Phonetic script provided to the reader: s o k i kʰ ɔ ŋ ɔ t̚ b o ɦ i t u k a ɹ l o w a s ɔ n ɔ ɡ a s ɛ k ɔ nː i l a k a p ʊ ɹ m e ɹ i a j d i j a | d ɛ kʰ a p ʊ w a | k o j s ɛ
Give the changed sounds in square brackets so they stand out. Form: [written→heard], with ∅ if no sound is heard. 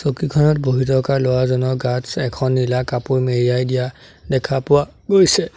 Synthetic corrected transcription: s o k i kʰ ɔ [ŋ→n] ɔ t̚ b o ɦ i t [u→ɔ] k a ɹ l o w a [s→z] ɔ n ɔ ɡ a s ɛ [k→kʰ] ɔ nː i l a k a p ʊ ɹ m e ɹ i a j d i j a | d ɛ kʰ a p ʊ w a | [k→ɡ] o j s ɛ